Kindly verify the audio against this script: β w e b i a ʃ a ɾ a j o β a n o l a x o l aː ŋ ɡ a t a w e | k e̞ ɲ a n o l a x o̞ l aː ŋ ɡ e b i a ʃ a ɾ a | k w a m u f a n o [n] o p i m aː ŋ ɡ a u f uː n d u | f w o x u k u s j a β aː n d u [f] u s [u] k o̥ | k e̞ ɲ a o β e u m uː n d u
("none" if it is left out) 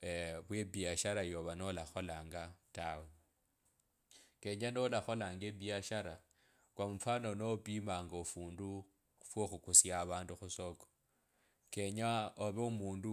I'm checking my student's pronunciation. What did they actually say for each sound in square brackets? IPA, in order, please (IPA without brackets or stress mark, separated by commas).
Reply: n, x, o